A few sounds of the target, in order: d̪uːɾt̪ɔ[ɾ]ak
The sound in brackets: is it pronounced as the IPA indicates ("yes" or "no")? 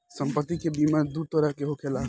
yes